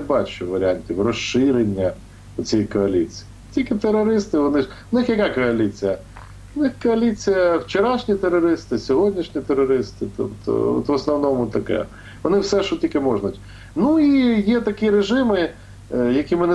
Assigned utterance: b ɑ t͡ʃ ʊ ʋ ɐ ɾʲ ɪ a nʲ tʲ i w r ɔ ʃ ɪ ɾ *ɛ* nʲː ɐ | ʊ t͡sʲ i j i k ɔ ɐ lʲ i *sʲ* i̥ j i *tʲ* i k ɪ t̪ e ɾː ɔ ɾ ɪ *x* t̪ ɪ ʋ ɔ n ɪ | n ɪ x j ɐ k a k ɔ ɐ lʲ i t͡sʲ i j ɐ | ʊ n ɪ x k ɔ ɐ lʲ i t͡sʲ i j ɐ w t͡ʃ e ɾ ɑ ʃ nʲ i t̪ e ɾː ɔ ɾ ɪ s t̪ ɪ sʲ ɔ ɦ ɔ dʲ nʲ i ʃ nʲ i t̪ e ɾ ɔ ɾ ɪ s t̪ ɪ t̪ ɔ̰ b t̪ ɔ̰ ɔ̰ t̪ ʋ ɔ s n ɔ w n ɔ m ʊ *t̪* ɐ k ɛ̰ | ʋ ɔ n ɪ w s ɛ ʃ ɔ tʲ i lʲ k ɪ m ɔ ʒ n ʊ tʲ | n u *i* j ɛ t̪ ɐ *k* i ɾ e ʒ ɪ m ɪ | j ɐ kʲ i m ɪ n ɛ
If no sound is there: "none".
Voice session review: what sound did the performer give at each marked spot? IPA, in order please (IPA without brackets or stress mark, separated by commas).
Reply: e, t͡sʲ, tʲ, s, t̪, i, k